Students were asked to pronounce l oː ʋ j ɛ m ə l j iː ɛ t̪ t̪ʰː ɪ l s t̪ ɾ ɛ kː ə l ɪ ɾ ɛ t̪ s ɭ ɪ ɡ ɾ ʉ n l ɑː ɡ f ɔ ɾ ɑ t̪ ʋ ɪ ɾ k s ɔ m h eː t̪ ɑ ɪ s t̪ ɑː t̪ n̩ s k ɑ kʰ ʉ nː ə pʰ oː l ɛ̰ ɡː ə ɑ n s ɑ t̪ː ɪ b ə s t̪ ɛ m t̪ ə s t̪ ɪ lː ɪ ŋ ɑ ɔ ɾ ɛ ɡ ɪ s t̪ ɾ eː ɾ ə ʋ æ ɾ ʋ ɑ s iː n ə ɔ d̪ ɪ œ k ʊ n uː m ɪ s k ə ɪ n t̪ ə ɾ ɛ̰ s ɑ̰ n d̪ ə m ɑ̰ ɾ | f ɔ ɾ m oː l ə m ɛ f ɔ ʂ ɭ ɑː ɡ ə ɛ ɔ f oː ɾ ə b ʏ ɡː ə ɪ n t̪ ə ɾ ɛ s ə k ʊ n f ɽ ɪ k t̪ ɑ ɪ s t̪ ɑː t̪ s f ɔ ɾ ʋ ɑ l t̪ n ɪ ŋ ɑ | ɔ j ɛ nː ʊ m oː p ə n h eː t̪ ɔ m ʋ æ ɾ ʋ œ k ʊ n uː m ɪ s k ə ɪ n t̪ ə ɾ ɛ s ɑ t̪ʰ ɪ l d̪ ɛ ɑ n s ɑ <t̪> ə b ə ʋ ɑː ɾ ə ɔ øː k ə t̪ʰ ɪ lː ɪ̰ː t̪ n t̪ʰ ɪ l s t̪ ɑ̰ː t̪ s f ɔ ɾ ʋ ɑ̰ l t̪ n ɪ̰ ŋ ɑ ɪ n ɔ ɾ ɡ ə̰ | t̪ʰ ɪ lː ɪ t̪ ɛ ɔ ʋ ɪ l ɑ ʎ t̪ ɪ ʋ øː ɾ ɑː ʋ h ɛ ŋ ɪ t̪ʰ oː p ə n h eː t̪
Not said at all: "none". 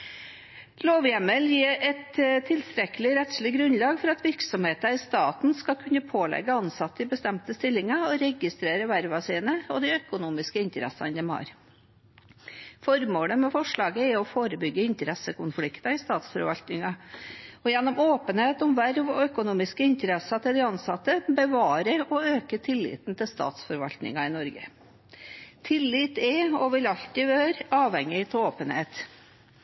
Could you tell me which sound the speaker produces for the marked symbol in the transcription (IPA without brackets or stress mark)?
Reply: t̪